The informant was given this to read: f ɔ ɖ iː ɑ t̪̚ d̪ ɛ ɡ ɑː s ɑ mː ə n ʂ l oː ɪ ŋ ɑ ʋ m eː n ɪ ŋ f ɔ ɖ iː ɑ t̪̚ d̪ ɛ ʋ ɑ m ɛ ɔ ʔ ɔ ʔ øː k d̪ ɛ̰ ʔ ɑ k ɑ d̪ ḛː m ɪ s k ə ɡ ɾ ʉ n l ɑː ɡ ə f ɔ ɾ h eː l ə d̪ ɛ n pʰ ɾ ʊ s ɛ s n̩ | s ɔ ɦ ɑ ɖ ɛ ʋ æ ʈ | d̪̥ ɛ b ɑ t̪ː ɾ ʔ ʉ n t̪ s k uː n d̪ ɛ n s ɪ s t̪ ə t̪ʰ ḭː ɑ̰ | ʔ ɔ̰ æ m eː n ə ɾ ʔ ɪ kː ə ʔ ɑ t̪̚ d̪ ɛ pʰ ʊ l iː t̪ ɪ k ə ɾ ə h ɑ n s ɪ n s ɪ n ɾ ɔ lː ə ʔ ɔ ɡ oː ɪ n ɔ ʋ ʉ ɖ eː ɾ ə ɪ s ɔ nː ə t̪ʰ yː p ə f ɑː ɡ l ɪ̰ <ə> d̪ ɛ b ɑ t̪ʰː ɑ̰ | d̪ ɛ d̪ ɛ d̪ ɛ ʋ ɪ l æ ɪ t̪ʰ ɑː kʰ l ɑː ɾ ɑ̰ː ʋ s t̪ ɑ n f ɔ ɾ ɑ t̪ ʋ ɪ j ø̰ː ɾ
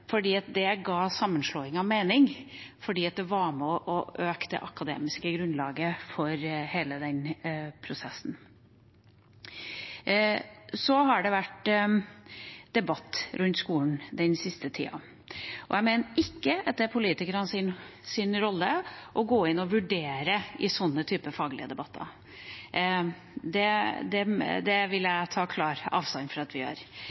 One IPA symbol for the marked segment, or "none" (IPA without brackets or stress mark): ə